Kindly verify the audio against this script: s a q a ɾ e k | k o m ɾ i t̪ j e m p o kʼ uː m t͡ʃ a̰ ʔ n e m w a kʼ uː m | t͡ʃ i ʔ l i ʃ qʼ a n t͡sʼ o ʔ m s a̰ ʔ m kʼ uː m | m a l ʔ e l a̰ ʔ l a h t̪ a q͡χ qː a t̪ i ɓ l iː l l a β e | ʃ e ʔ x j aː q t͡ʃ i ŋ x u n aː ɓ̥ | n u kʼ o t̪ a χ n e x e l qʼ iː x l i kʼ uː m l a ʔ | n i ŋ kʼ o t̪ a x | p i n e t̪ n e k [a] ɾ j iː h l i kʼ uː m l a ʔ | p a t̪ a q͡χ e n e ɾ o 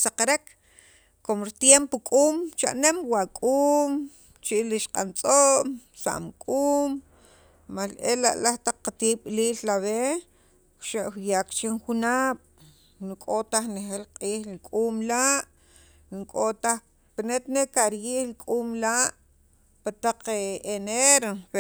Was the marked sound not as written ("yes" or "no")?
no